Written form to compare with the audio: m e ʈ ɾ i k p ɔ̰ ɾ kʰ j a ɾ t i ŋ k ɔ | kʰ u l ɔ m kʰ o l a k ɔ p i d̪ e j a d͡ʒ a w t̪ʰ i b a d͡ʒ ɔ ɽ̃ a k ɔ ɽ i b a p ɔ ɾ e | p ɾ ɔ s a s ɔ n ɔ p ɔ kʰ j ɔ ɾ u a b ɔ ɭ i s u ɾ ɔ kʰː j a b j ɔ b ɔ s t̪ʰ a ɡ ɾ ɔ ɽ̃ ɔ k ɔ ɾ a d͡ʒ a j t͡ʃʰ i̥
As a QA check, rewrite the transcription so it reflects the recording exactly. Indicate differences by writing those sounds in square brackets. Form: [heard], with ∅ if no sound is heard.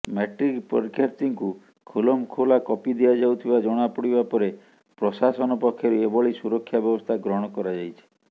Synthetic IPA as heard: m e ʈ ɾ i k p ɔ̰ ɾ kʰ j a ɾ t i ŋ k [u] | kʰ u l ɔ m kʰ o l a k ɔ p i d̪ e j a d͡ʒ a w t̪ʰ i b a d͡ʒ ɔ ɽ̃ a [p] ɔ ɽ i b a p ɔ ɾ e | p ɾ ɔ s a s ɔ n ɔ p ɔ kʰ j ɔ ɾ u [e] b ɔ ɭ i s u ɾ ɔ kʰː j a b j ɔ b ɔ s t̪ʰ a ɡ ɾ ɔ ɽ̃ ɔ k ɔ ɾ a d͡ʒ a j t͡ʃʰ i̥